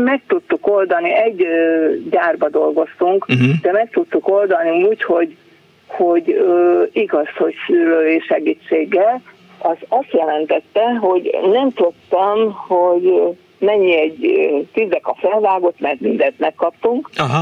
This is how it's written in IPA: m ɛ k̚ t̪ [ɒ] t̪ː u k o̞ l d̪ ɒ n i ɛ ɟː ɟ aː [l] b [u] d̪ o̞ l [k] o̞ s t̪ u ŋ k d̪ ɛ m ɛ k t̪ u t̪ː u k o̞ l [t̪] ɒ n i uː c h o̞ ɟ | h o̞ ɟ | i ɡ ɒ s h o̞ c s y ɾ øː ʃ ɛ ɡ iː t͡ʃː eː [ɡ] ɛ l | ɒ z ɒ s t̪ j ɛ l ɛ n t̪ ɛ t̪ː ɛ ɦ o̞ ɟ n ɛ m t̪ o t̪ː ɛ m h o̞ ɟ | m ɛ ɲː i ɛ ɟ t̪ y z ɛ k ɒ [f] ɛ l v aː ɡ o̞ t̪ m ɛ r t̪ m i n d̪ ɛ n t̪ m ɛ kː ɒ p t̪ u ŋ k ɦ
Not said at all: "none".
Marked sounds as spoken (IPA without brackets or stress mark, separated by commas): u, r, ɒ, ɡ, d̪, ɡː, f